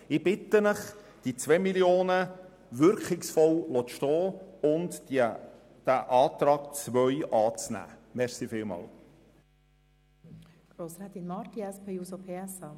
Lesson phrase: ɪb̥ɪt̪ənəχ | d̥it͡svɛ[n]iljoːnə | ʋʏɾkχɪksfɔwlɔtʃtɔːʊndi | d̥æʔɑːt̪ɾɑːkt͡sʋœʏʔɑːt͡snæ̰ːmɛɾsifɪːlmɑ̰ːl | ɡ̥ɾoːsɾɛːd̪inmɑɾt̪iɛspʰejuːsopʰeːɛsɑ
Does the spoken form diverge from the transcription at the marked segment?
yes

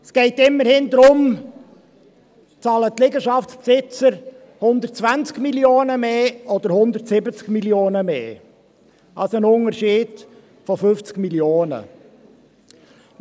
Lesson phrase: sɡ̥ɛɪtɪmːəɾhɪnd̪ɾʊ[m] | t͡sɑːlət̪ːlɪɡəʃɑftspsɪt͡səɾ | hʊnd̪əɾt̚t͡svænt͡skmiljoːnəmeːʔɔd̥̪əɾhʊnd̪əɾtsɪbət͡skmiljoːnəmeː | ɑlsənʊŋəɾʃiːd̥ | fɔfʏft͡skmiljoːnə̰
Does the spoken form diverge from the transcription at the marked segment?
no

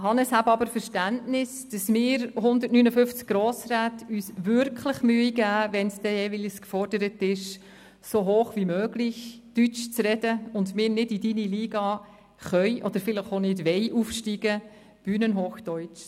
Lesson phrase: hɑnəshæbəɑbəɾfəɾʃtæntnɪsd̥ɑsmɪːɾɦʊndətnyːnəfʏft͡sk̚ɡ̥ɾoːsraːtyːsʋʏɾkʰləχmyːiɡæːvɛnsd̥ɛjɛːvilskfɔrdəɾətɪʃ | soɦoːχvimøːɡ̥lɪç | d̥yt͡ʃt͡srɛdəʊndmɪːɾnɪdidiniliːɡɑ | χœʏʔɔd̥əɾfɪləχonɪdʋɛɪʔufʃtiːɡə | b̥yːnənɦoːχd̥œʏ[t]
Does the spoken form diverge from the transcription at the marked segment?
yes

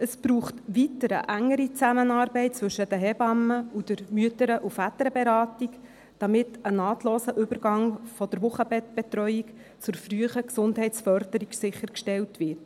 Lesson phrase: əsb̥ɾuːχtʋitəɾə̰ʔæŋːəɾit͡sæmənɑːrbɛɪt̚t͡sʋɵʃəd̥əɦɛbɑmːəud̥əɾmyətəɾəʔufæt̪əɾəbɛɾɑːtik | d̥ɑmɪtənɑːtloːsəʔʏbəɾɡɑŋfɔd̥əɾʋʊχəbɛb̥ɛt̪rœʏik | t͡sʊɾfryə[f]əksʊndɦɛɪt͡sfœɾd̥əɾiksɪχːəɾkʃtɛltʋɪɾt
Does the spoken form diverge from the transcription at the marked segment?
yes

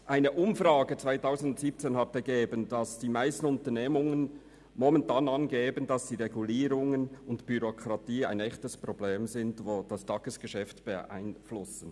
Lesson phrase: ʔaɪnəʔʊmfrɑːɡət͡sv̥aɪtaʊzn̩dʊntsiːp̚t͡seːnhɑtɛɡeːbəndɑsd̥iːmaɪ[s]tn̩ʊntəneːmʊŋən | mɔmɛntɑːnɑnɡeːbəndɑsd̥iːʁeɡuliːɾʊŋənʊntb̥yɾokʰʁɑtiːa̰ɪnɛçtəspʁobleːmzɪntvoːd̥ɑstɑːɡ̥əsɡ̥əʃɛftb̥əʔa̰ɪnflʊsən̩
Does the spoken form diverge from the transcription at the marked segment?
no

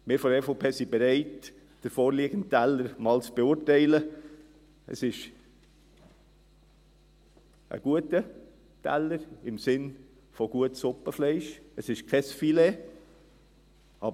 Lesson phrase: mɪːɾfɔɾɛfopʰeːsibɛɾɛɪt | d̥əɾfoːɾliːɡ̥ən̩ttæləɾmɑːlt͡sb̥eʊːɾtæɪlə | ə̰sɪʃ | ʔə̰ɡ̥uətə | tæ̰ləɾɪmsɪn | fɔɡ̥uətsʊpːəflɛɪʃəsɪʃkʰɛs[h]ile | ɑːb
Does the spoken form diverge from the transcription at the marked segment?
yes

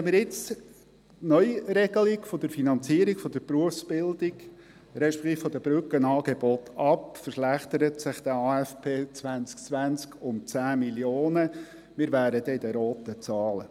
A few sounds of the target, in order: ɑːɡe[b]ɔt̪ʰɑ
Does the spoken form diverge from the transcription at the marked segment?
no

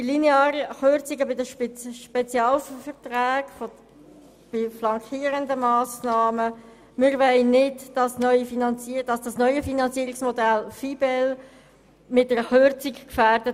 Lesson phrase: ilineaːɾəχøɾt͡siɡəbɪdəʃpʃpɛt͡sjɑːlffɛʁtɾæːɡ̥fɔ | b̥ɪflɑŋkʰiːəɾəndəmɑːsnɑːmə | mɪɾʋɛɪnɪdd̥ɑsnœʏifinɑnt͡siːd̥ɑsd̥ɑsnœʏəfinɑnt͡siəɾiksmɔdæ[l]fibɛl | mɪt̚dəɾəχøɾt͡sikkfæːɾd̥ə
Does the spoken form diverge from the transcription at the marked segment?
no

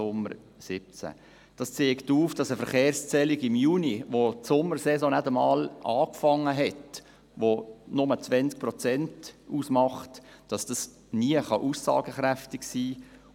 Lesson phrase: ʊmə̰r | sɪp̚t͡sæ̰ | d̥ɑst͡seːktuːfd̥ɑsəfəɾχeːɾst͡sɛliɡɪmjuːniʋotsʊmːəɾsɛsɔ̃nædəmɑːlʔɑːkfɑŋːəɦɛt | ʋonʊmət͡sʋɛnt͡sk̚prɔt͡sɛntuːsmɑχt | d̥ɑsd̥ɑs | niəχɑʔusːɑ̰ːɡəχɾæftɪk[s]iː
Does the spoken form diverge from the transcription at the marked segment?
no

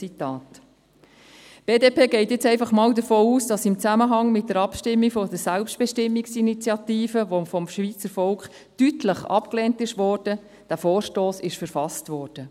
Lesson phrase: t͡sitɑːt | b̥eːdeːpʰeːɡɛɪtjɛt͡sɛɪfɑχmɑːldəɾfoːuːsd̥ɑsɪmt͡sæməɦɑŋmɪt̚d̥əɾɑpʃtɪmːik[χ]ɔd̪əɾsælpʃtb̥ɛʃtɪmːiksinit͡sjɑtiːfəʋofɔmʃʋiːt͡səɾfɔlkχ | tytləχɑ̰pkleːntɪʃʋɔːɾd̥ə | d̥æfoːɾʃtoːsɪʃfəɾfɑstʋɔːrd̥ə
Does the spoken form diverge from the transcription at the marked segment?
yes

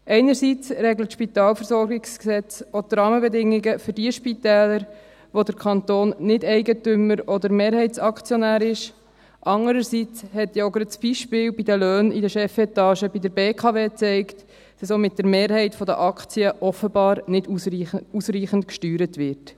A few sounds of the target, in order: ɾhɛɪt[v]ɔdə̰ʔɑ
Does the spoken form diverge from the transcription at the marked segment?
yes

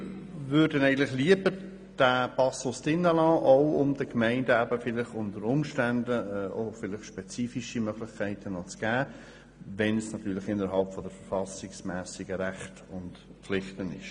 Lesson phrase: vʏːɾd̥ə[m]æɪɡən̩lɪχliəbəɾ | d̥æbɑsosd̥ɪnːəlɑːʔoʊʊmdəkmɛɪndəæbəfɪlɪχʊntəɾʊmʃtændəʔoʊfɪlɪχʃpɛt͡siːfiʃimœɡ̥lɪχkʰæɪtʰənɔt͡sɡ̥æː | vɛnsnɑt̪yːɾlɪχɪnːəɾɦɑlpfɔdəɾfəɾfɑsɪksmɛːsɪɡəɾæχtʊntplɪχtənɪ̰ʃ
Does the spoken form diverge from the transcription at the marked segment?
yes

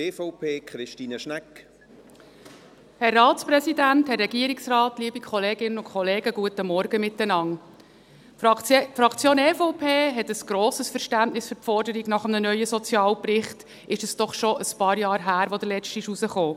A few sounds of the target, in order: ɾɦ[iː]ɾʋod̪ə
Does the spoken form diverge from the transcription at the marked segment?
yes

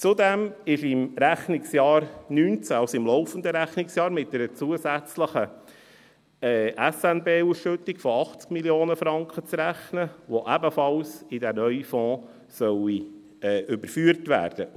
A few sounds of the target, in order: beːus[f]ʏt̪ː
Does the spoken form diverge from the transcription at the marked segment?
yes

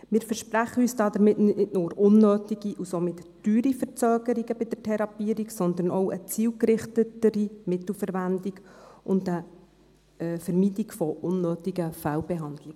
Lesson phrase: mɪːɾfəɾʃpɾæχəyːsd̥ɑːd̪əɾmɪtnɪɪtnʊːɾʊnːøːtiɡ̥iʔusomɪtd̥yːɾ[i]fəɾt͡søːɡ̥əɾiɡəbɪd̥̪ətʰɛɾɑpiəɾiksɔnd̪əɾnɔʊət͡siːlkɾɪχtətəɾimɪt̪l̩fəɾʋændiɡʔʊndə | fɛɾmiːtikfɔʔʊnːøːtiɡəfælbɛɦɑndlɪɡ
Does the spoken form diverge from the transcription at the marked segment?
no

